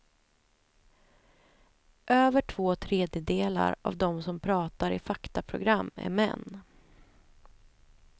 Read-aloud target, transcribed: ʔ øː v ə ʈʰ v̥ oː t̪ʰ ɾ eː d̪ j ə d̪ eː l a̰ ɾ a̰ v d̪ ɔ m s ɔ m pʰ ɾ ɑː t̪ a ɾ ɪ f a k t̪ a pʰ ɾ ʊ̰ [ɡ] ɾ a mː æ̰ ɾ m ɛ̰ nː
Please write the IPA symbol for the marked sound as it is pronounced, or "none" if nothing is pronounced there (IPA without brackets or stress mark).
ɡ